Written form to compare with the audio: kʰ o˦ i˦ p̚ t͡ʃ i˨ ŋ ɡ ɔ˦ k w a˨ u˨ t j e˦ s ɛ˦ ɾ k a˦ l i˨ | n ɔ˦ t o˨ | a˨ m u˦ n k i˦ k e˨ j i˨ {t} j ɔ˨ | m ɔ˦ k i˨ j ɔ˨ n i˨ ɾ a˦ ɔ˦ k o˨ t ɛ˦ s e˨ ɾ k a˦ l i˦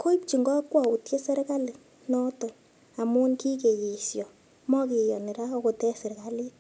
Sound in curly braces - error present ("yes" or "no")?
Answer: yes